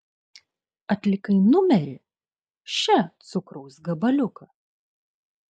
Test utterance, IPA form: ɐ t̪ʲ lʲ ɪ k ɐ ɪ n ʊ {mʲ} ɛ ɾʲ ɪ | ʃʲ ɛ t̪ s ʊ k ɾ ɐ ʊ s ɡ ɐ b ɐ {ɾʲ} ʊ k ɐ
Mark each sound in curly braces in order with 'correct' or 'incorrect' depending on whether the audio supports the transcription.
correct, incorrect: lʲ

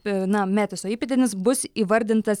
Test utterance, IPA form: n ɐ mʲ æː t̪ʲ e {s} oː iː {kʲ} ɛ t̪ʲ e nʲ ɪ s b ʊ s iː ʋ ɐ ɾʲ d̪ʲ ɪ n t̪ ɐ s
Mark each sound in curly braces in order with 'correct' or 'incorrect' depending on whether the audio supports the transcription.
correct, incorrect: pʲ

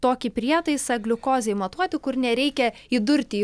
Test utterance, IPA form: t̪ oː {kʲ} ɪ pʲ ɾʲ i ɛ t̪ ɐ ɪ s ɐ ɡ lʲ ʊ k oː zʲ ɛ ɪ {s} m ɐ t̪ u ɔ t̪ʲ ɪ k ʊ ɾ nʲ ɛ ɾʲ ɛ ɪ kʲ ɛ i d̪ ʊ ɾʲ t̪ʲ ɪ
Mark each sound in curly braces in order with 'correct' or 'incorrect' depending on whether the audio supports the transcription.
correct, incorrect: none

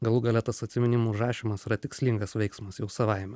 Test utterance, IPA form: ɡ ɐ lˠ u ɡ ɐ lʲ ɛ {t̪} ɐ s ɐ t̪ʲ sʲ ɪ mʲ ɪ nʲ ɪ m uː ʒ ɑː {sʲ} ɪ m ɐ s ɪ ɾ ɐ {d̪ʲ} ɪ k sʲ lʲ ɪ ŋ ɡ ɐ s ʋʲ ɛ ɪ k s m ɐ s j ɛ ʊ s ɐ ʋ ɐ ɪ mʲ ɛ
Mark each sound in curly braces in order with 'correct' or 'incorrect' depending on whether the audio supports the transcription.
correct, incorrect: ʃʲ, incorrect: t̪ʲ

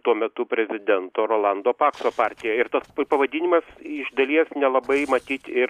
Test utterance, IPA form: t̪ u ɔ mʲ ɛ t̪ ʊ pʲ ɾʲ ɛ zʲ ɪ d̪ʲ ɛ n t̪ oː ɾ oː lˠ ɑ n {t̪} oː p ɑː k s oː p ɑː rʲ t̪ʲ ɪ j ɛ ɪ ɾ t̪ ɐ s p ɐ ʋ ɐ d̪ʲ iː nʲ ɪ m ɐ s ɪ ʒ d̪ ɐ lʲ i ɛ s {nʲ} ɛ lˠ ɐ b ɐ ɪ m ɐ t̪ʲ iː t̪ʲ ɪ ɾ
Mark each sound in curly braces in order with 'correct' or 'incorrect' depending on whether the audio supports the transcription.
incorrect: d̪, correct

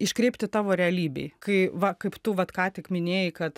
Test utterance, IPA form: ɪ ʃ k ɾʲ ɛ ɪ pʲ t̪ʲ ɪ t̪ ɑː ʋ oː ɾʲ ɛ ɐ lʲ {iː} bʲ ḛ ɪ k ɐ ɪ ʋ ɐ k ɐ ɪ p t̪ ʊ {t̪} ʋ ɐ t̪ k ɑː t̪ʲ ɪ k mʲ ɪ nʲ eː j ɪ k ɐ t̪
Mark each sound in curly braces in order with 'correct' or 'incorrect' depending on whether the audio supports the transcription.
correct, incorrect: none

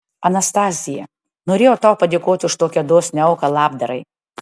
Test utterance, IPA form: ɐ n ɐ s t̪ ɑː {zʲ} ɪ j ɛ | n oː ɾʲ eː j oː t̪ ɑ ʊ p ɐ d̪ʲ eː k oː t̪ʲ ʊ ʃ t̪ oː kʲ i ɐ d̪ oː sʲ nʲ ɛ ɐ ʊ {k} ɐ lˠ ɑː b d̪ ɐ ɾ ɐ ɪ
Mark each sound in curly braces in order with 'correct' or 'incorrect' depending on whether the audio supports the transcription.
correct, correct

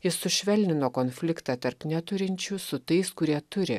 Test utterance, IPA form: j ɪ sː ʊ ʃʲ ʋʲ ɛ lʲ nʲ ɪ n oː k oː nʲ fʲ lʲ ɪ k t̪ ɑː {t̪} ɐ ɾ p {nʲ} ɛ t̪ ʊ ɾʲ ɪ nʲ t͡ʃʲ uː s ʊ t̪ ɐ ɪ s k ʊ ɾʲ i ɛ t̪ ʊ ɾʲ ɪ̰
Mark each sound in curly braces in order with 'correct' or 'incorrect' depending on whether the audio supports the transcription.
correct, correct

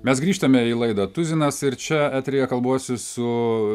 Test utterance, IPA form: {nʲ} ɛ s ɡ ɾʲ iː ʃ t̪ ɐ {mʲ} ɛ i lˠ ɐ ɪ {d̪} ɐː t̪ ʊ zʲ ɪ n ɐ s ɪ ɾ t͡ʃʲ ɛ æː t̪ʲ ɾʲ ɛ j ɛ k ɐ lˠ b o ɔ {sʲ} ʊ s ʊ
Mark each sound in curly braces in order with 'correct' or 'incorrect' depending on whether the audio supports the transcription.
incorrect: mʲ, correct, correct, correct

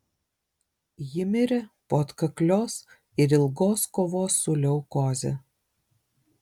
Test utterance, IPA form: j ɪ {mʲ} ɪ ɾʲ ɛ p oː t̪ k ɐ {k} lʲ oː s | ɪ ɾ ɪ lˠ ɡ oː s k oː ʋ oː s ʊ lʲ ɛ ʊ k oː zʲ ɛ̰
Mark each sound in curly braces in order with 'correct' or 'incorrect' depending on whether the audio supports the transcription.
correct, correct

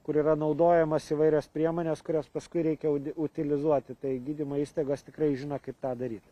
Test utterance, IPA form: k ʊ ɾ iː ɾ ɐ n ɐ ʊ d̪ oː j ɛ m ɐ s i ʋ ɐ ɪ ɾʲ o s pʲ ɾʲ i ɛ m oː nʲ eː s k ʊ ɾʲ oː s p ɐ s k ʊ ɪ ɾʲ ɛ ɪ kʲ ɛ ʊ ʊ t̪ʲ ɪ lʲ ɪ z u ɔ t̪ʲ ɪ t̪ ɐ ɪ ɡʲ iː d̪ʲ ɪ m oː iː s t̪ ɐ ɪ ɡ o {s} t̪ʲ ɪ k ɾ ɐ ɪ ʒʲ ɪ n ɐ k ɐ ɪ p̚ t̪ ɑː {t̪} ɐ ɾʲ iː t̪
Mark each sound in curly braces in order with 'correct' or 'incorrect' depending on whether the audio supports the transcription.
correct, incorrect: d̪

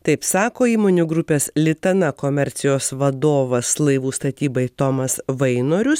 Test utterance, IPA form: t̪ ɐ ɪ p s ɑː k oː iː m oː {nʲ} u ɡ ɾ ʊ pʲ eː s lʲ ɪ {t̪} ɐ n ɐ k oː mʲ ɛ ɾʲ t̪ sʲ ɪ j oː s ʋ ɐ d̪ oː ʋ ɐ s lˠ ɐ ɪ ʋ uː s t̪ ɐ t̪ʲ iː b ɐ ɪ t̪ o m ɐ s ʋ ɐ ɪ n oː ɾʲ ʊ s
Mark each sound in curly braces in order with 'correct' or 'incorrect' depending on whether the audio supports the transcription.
correct, correct

